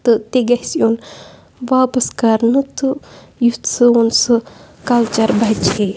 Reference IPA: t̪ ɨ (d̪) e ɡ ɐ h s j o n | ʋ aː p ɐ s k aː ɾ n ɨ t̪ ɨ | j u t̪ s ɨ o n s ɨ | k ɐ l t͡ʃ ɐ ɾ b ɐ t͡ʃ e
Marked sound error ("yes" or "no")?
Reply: yes